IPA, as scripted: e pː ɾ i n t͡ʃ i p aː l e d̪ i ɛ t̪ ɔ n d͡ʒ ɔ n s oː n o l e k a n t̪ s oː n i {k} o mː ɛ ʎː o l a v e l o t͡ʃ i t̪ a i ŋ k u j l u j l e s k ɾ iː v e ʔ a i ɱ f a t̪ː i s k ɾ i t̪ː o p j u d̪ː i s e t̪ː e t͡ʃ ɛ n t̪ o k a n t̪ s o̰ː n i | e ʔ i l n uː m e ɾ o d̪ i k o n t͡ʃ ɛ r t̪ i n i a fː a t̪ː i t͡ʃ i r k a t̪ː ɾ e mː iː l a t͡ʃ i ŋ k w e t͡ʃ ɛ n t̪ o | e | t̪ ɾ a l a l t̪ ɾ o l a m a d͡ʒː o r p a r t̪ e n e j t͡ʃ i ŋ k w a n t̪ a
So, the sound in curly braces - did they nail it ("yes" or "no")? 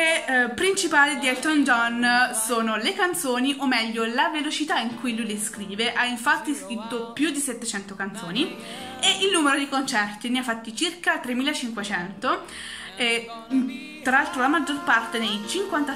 no